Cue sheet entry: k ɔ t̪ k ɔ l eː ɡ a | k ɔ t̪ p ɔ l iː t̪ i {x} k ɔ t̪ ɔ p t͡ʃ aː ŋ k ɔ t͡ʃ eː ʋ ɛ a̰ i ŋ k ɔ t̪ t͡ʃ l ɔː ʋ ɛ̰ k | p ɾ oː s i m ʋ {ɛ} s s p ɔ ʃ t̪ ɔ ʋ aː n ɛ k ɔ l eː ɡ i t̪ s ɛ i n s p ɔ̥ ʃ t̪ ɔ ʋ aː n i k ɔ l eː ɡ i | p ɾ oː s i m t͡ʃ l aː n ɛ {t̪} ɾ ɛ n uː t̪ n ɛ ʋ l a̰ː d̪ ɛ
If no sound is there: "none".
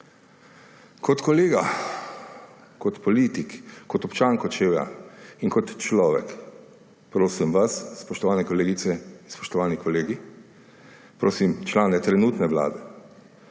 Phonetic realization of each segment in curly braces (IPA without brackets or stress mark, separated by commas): k, a, t̪